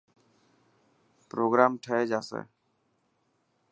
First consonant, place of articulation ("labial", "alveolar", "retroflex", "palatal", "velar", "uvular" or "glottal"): labial